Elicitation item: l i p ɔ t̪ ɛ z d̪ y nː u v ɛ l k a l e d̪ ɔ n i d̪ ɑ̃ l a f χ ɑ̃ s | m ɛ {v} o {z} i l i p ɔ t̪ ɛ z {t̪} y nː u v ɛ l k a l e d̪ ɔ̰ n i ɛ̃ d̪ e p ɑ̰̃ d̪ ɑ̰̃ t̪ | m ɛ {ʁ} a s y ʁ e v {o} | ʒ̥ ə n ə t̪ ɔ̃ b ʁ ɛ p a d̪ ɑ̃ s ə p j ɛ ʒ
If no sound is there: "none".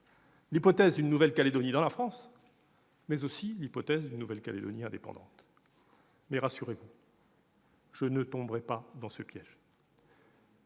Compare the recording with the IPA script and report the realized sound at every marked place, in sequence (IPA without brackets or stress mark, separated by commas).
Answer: z, s, d̪, ʁ, u